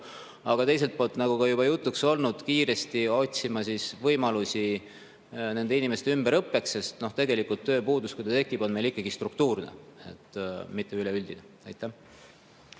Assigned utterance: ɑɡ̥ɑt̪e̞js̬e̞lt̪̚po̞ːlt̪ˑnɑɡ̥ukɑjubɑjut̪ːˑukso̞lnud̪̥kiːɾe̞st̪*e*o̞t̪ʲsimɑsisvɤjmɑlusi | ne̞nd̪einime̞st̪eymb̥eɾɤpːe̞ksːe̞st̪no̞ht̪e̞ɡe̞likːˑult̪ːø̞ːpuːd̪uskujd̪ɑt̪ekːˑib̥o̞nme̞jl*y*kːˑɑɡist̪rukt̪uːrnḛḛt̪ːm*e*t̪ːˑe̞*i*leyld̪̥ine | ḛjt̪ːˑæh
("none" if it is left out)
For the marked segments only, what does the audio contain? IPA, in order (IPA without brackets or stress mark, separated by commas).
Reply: i, i, i, y